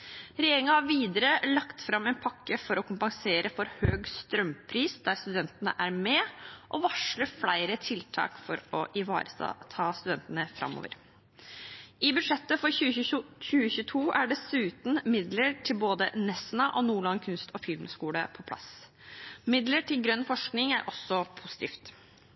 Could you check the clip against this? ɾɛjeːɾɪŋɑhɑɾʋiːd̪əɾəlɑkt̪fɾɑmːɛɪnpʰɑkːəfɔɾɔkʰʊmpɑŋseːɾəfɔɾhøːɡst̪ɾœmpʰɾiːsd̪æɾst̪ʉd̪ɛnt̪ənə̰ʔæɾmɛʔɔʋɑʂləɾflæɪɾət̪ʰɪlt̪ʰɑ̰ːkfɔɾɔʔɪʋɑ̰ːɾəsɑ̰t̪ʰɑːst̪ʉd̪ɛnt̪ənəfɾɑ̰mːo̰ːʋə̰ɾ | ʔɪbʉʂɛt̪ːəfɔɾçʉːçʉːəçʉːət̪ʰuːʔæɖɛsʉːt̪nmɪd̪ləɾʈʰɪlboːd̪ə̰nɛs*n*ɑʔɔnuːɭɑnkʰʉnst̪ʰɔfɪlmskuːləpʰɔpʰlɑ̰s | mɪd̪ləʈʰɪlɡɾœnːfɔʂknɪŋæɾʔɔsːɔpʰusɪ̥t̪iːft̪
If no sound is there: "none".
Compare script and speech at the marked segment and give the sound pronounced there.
n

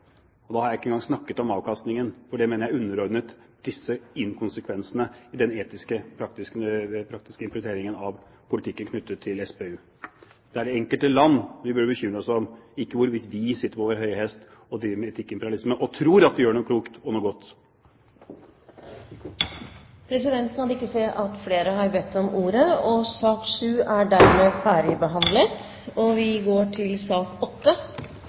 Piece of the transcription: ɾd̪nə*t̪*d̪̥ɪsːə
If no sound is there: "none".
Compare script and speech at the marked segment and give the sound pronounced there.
t̪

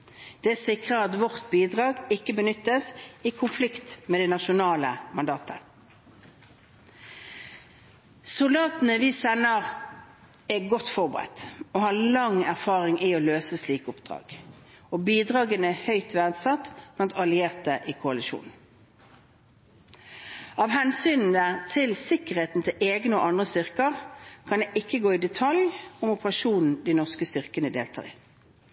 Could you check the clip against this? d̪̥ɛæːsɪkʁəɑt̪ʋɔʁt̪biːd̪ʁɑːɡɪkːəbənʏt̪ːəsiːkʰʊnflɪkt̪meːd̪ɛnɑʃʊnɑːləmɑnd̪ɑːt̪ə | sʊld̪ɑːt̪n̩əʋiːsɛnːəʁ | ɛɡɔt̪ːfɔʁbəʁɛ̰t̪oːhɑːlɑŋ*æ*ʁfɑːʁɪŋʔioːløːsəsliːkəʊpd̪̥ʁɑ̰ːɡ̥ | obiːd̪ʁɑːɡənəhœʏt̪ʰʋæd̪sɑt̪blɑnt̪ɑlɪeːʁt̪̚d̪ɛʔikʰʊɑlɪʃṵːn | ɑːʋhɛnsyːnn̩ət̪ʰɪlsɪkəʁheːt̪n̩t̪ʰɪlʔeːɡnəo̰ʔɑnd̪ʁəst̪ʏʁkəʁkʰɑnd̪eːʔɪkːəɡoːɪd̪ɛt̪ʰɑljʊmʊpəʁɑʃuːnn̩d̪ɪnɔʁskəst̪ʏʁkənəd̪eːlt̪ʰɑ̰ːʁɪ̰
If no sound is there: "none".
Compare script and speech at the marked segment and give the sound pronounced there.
æ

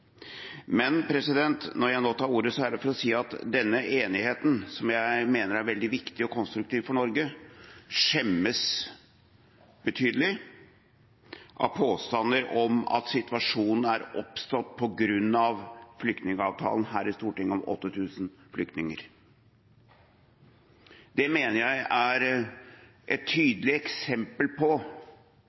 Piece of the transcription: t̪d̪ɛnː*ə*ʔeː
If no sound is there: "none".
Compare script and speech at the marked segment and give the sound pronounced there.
ə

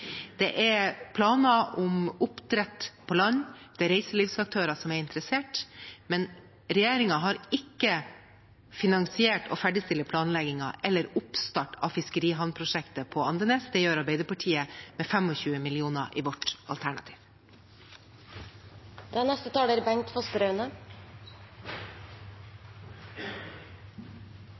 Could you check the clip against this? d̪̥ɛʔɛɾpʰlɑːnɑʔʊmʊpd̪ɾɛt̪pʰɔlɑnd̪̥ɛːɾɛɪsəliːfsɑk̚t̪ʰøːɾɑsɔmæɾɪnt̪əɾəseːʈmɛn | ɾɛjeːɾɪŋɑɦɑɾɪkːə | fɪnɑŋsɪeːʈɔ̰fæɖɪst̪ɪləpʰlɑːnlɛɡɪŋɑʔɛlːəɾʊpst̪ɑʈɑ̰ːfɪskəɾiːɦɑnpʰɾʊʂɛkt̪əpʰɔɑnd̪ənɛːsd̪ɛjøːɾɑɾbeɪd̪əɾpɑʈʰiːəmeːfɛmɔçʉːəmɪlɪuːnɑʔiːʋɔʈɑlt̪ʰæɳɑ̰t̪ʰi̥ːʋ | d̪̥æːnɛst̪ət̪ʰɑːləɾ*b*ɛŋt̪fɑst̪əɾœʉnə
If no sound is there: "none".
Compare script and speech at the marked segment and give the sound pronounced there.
b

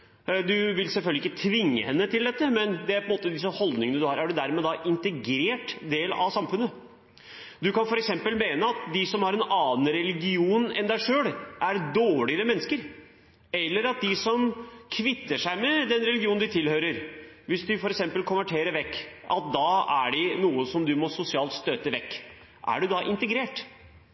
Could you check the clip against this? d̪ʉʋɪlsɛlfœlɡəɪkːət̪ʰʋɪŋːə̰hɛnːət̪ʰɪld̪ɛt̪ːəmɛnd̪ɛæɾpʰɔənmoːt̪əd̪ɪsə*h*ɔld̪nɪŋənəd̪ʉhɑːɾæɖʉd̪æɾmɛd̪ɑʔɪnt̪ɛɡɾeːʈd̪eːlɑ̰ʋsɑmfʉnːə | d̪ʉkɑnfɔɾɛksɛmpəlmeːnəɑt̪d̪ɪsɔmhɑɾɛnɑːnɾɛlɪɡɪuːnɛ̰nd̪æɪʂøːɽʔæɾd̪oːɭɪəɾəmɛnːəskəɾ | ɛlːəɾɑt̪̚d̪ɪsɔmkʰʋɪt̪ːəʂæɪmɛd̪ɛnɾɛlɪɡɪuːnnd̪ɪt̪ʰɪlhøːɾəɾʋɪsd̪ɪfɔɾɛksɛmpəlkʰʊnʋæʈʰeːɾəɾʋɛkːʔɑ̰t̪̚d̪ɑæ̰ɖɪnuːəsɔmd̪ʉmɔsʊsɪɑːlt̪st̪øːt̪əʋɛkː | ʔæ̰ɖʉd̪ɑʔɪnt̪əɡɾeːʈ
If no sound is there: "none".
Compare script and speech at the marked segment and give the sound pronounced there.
h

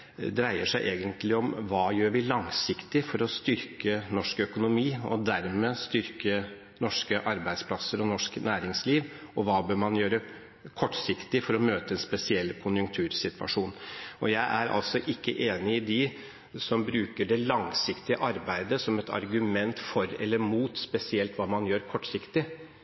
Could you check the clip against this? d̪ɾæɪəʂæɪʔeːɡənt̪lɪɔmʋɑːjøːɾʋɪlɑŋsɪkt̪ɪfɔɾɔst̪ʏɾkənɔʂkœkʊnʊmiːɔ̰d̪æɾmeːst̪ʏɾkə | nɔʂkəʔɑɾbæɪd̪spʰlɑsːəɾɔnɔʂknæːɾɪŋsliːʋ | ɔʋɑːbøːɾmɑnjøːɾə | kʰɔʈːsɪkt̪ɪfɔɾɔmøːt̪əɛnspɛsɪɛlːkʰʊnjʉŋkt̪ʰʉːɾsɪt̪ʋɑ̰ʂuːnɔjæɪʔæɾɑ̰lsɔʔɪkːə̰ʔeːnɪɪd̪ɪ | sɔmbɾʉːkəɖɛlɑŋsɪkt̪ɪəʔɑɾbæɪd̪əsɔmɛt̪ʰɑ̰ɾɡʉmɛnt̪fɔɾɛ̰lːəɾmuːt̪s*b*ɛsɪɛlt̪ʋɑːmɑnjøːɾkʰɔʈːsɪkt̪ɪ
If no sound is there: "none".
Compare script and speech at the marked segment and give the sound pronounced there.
p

